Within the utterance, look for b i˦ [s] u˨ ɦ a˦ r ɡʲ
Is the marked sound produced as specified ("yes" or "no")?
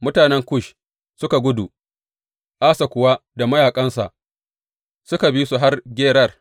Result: yes